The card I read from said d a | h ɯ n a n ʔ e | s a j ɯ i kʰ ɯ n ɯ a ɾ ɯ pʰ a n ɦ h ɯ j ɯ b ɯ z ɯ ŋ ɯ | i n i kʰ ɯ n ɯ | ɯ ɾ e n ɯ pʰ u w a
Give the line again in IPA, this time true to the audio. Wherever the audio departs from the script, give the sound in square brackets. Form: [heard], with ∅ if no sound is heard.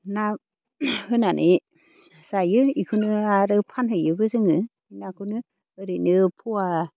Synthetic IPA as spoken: [n] a | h ɯ n a n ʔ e | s a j ɯ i kʰ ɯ n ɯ a ɾ ɯ pʰ a n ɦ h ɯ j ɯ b ɯ z ɯ ŋ ɯ | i n [a] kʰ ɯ n ɯ | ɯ ɾ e n ɯ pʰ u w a